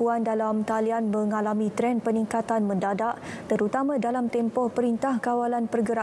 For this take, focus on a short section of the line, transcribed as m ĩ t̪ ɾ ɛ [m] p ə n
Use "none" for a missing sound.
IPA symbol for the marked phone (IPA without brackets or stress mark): n